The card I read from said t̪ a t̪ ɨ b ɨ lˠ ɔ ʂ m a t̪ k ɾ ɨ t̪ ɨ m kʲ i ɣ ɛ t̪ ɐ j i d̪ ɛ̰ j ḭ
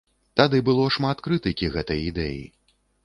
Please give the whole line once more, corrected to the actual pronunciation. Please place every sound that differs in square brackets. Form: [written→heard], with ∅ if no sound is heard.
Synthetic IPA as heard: t̪ a [t̪→d̪] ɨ b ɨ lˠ ɔ ʂ m a t̪ k ɾ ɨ t̪ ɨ [m→∅] kʲ i ɣ ɛ t̪ ɐ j i d̪ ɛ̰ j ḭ